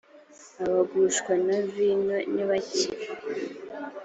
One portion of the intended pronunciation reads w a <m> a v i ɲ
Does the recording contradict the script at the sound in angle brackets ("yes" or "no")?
yes